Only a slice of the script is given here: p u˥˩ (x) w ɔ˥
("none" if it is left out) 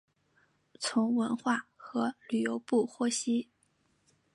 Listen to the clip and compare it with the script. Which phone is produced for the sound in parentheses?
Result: x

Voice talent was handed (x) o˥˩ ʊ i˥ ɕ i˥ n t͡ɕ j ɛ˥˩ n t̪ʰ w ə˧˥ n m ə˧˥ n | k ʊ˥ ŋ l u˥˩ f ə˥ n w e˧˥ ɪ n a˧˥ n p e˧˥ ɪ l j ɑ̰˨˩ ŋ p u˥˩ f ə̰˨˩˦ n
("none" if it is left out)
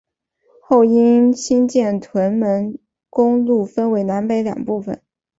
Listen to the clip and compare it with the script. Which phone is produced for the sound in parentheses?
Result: x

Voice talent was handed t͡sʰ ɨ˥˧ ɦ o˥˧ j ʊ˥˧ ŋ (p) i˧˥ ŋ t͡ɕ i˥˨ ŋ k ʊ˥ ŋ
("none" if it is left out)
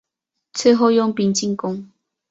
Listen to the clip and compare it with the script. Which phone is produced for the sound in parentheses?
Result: p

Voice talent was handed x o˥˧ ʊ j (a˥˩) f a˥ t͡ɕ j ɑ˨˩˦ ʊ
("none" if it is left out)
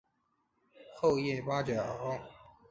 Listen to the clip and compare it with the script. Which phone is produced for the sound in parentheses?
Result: ɛ˥˩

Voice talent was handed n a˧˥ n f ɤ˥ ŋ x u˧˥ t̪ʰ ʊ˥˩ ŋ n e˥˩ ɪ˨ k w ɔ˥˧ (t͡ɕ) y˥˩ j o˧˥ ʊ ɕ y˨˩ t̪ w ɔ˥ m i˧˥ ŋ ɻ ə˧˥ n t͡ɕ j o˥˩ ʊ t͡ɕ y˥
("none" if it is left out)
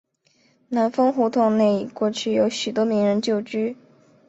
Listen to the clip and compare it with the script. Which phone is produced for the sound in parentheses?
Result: t͡ɕʰ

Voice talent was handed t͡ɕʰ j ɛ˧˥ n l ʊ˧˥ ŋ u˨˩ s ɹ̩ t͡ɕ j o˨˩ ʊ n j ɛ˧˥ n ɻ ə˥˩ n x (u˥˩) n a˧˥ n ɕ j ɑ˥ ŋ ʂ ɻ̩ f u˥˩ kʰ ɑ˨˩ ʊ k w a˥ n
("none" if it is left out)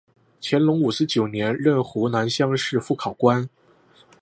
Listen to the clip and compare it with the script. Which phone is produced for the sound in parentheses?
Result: u˧˥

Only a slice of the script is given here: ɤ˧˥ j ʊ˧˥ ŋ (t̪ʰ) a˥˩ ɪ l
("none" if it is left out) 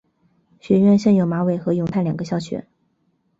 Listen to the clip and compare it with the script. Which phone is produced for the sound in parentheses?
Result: t̪ʰ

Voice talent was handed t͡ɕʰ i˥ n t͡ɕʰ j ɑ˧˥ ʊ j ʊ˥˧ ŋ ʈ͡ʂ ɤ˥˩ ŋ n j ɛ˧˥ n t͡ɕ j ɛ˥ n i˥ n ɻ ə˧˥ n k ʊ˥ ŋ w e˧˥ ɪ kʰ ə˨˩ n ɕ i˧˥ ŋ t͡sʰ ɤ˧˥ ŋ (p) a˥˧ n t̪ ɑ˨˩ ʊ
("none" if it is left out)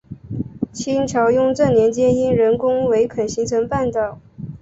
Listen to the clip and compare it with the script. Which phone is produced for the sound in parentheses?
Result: p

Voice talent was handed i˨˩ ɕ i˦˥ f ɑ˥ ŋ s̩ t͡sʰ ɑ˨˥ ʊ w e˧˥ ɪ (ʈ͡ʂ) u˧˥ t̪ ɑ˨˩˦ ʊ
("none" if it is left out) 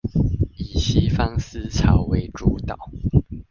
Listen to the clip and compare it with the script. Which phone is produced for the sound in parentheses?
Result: ʈ͡ʂ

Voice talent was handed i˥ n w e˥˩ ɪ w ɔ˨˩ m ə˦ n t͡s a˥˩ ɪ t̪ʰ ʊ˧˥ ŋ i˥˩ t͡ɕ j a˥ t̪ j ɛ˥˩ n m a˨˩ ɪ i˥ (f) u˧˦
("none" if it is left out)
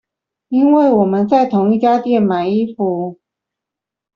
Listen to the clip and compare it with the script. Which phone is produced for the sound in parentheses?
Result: f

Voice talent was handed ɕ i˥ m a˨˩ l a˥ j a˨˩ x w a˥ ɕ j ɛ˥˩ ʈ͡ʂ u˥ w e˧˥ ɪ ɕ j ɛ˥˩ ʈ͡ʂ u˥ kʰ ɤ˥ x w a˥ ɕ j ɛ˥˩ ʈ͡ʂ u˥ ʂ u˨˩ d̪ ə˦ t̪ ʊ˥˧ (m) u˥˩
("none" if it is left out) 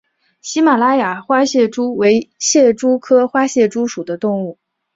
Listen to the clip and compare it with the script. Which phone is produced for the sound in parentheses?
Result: ŋ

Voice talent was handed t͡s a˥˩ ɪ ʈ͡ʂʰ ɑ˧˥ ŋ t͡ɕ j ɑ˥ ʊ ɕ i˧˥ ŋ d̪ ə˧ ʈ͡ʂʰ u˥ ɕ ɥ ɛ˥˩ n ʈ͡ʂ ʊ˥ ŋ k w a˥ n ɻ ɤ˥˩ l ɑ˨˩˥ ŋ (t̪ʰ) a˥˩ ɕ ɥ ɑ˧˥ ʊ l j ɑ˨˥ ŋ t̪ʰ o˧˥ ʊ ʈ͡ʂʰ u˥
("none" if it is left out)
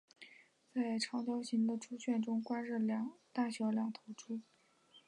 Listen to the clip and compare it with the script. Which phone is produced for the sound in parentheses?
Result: t̪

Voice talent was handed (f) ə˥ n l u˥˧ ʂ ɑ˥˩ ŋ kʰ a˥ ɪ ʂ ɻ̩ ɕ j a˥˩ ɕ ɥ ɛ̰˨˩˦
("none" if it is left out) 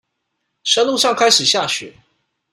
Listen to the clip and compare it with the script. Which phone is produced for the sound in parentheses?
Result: ʂ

